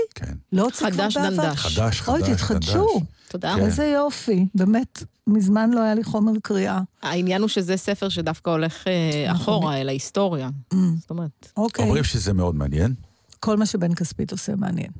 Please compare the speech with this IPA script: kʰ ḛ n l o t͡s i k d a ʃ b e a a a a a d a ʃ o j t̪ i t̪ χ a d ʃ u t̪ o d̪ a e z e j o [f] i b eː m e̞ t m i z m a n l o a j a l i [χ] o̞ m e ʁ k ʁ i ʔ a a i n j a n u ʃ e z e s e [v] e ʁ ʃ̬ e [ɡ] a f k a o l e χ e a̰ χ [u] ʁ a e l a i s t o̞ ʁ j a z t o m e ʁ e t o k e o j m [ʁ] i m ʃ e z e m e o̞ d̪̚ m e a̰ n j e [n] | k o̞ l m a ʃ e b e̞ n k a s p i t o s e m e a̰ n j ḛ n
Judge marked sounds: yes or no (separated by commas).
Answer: yes, yes, no, no, no, yes, yes